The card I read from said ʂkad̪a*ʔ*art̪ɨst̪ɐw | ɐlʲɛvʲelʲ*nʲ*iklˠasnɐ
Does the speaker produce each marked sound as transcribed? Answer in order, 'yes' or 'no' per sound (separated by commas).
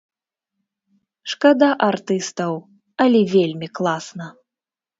yes, no